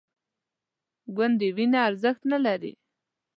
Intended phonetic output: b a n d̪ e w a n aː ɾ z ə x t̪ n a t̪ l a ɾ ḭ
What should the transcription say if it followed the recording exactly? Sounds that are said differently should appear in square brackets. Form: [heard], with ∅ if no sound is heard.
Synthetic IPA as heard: [ɡ] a n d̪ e w [i] n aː ɾ z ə x t̪ n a [∅] l a ɾ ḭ